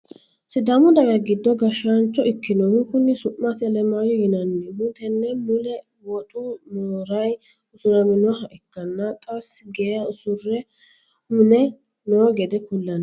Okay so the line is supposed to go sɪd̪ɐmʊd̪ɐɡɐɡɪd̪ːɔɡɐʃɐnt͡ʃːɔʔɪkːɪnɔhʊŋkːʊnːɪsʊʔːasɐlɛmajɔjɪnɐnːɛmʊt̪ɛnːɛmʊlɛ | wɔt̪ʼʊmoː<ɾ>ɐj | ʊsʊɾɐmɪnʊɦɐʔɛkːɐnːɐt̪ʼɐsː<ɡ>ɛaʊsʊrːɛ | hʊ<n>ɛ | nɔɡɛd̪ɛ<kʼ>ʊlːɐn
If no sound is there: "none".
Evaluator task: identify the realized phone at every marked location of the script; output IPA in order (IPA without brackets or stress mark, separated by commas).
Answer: ɾ, ɡ, n, k